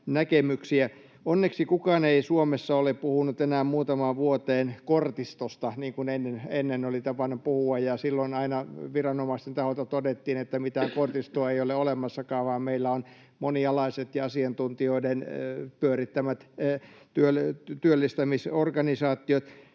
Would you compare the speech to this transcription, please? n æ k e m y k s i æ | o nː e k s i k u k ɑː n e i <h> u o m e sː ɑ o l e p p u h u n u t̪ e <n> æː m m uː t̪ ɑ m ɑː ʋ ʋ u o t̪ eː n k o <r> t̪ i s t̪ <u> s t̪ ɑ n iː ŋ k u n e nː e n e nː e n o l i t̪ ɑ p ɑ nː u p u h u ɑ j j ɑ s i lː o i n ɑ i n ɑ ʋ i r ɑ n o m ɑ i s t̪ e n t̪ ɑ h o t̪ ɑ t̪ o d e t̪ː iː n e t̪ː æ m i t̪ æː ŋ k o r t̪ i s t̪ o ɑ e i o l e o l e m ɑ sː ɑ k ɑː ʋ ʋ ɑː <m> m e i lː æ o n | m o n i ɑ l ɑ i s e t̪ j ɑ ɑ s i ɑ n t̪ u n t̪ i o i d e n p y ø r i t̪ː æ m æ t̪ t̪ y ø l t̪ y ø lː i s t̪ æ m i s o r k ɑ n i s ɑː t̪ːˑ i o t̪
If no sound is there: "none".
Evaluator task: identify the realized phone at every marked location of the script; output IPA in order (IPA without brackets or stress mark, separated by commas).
s, n, r, o, m